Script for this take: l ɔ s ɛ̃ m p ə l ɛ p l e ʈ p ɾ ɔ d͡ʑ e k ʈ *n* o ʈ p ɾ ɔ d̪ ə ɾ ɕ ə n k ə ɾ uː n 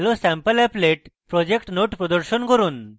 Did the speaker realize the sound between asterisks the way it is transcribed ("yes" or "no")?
yes